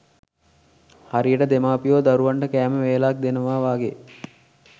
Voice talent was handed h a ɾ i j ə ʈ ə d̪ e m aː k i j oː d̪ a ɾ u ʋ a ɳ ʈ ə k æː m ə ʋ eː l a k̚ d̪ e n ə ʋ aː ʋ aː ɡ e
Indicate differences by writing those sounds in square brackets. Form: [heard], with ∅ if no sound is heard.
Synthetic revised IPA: h a ɾ i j ə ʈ ə d̪ e m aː [p] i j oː d̪ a ɾ u ʋ a ɳ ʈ ə k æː m ə ʋ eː l a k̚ d̪ e n ə ʋ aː ʋ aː ɡ e